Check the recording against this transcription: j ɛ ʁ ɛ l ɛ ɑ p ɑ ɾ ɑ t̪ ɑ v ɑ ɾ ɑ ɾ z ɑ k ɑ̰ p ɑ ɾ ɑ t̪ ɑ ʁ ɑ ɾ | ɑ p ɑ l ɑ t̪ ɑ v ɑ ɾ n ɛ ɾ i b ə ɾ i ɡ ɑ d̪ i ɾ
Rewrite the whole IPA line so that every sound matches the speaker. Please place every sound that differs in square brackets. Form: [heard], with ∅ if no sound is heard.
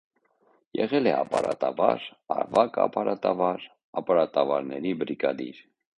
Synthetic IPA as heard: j ɛ ʁ ɛ l ɛ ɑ p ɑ ɾ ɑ t̪ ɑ v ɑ ɾ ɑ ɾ [v] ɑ k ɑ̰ p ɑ ɾ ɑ t̪ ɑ [v] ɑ ɾ | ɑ p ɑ [ɾ] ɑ t̪ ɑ v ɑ ɾ n ɛ ɾ i b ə ɾ i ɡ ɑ d̪ i ɾ